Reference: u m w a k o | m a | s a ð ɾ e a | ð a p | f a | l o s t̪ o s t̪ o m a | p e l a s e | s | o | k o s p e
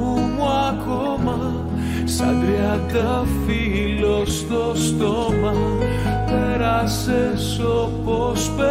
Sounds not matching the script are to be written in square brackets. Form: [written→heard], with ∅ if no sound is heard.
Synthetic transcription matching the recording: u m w a k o | m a | s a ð ɾ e a | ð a [p→∅] | f [a→i] | l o s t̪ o s t̪ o m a | p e [l→ɾ] a s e | s | o | [k→p] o s p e